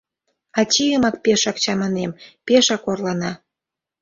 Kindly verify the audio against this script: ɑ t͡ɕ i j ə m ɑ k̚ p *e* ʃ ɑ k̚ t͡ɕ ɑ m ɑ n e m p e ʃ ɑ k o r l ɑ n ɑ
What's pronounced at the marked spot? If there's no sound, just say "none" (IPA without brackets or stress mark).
e